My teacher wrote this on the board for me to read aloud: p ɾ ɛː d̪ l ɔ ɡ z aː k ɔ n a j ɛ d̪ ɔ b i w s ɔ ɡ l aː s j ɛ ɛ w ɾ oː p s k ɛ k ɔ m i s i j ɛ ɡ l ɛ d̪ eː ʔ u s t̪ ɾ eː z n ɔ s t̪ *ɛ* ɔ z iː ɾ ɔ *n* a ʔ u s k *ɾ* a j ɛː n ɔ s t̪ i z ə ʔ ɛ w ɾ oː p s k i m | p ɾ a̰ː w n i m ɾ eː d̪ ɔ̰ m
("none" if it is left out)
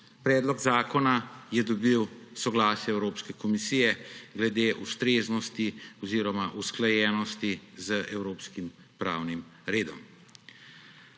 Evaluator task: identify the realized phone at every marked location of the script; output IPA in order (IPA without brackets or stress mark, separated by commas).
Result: i, m, l